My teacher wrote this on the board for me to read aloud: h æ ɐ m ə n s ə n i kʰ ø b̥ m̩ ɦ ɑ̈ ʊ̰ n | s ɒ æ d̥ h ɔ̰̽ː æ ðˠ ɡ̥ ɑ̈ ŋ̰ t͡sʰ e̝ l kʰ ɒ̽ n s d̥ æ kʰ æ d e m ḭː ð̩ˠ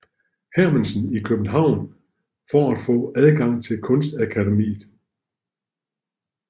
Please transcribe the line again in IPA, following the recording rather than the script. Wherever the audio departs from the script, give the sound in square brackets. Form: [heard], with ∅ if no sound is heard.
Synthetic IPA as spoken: h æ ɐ m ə n s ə n i kʰ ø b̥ [n̩] ɦ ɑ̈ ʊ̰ n | [f] ɒ æ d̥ [f] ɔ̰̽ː æ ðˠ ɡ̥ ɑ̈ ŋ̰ t͡sʰ e̝ l kʰ [ɔ̽] n s d̥ æ kʰ æ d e m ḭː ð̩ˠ